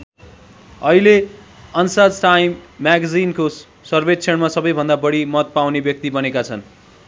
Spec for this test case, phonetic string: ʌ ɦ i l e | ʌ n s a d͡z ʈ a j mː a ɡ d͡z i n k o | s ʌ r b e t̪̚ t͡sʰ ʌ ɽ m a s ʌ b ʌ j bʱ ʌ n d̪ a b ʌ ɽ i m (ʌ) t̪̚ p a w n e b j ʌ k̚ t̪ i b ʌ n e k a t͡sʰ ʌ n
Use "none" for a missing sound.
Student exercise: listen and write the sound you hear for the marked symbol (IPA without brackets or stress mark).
ʌ